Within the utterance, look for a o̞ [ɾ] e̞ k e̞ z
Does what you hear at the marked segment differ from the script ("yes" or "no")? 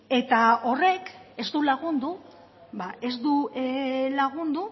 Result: yes